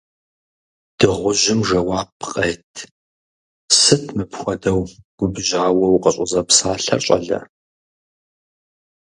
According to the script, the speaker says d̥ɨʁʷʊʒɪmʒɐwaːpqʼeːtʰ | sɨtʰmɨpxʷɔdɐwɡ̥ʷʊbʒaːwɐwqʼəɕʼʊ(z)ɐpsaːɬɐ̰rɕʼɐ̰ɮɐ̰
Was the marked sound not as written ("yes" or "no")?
no